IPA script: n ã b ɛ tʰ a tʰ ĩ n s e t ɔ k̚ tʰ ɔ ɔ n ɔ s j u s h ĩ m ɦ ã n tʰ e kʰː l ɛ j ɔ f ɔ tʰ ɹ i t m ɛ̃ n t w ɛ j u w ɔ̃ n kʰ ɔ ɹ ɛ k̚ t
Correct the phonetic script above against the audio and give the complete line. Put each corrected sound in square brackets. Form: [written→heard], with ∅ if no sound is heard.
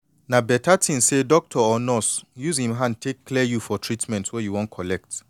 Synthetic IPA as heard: n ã b ɛ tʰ a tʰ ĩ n s e [t→d] ɔ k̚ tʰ ɔ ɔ n ɔ s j u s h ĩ m ɦ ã n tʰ e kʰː l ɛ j [ɔ→u] f ɔ tʰ ɹ i t m ɛ̃ n t w ɛ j u w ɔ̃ n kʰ ɔ [ɹ→l] ɛ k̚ t